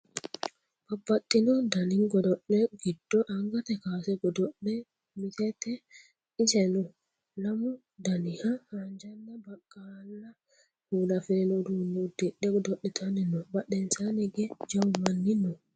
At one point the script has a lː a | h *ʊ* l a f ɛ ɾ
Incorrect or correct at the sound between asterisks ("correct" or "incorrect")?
incorrect